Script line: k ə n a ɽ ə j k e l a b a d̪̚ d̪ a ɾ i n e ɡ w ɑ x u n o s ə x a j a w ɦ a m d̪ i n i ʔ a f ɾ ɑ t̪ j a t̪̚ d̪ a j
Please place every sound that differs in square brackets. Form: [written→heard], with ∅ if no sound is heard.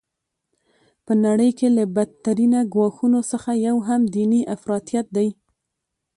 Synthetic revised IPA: [k→p] ə n a ɽ ə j k e l a b a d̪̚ [d̪→t̪] a ɾ i n [e→a] ɡ w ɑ x u n o s ə x a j a w ɦ a m d̪ i n i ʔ a f ɾ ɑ t̪ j a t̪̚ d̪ a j